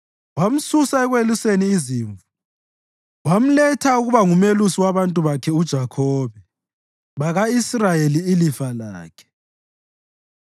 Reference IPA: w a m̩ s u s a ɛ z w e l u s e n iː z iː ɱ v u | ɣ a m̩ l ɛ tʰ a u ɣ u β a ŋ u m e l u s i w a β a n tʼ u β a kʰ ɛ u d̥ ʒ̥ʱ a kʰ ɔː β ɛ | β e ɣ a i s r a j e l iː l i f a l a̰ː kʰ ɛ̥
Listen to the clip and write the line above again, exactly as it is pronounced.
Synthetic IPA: w a m̩ s u s a ɛ ɣ w e l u s e n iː z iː ɱ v u | w a m̩ l ɛ tʰ a u ɣ u β a ŋ u m e l u s i w a β a n tʼ u β a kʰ ɛ u d̥ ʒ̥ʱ a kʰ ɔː β ɛ | β a ɣ a i s r a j e l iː l i f a l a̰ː kʰ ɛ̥